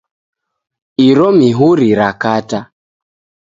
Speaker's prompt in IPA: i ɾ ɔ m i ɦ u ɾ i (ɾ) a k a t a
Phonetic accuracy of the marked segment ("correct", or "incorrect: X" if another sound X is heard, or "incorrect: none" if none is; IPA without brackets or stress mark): correct